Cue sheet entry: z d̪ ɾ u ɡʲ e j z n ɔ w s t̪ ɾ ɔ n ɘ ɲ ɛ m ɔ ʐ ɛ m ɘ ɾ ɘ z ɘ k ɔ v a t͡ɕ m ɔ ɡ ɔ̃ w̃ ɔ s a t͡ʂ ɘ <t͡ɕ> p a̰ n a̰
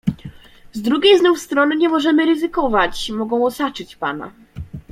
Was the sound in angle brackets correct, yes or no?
yes